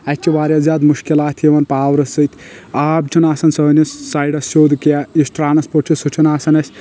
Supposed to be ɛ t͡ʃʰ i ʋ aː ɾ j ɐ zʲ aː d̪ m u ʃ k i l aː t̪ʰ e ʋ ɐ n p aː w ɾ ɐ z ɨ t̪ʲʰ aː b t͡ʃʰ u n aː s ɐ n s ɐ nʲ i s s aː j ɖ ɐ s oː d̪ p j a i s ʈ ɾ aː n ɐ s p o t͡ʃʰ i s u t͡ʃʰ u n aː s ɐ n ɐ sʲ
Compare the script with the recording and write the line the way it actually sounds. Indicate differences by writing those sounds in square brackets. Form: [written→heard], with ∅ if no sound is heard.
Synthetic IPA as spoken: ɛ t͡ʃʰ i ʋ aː ɾ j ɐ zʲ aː d̪ m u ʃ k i l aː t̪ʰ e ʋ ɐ n p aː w ɾ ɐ [z→s] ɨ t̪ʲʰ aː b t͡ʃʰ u n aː s ɐ n s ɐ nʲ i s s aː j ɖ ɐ s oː d̪ [p→k] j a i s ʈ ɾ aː n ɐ s p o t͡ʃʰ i s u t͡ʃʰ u n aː s ɐ n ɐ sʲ